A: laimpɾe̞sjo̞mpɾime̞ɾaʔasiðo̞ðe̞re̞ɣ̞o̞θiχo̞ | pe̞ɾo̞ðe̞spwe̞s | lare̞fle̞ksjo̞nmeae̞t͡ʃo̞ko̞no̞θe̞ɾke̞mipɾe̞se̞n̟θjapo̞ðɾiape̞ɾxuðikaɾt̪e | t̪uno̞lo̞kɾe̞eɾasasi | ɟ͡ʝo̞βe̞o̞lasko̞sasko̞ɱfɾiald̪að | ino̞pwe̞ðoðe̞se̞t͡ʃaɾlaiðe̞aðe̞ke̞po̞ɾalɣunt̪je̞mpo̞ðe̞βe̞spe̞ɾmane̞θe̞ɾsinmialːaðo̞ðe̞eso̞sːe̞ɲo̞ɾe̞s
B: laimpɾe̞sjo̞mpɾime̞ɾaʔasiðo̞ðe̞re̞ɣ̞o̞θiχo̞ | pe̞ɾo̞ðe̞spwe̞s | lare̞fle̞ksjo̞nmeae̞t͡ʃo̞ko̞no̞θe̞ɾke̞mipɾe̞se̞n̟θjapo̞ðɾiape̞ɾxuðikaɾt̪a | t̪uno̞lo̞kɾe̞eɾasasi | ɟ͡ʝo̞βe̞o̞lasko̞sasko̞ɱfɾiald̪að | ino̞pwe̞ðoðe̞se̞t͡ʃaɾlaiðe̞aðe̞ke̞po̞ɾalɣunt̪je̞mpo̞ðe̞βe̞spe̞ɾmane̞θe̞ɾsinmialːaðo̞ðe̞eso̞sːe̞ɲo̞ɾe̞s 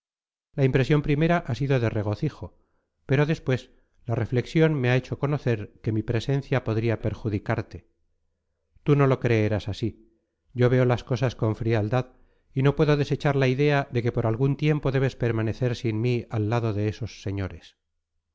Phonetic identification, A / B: A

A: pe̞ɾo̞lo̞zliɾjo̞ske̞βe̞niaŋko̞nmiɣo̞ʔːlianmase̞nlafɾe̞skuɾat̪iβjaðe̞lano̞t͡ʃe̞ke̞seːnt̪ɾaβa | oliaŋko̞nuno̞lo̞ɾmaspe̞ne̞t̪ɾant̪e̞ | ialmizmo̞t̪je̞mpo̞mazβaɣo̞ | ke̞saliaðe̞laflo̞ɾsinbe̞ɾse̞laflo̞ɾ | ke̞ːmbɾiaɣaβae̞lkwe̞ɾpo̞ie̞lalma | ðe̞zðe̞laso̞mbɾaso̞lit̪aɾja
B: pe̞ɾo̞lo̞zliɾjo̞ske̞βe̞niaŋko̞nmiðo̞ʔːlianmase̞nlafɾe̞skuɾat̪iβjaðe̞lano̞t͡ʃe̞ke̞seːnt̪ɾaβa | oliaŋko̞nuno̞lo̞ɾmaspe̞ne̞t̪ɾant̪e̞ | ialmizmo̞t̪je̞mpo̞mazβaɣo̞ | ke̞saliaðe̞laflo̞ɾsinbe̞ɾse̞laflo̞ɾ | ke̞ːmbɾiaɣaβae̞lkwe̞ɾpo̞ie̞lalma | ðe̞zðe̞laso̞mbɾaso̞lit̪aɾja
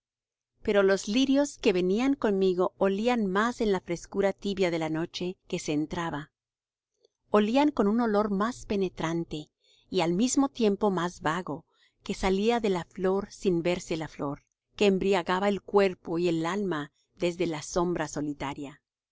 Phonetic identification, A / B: A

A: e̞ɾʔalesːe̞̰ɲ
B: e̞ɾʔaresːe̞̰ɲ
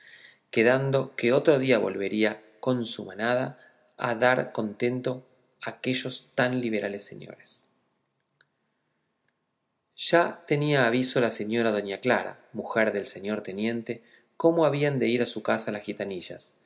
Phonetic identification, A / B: A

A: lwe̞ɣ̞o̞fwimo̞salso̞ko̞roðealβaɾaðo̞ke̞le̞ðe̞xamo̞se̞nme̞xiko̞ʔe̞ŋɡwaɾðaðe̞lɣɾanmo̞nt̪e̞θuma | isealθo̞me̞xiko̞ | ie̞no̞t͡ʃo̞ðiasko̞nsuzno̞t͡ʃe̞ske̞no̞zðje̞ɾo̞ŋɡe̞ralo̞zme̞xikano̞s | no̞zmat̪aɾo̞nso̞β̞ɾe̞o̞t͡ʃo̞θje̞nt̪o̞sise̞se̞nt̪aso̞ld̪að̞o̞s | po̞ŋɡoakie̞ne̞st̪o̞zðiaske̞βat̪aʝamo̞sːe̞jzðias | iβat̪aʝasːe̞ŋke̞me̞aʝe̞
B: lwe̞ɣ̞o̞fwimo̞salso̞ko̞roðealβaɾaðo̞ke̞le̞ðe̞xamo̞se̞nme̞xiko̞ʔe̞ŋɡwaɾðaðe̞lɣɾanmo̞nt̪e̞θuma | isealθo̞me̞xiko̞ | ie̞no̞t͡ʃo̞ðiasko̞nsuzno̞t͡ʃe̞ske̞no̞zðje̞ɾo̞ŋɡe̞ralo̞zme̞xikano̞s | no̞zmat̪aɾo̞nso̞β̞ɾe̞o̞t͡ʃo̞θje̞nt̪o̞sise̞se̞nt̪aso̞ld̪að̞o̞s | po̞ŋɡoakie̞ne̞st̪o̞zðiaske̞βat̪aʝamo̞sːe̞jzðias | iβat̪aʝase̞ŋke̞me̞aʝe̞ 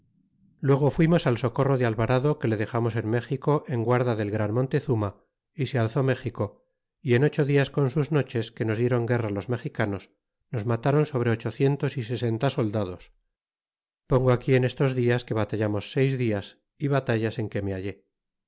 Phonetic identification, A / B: B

